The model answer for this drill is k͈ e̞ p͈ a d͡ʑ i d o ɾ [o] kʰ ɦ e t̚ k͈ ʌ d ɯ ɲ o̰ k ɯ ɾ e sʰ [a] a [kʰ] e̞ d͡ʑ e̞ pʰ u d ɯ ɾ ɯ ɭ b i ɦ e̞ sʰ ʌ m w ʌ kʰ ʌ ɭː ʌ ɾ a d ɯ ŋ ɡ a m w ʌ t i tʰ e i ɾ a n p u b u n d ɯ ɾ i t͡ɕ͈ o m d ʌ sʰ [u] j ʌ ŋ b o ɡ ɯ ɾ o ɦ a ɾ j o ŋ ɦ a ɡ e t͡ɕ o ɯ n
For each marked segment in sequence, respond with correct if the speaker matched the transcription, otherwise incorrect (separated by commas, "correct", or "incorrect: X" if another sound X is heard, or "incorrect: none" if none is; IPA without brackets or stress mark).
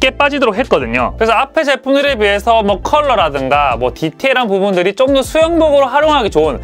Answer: correct, incorrect: ʌ, incorrect: pʰ, correct